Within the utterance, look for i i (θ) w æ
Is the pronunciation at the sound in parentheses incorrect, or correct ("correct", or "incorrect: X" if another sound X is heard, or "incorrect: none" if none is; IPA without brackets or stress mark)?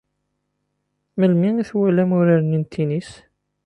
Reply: correct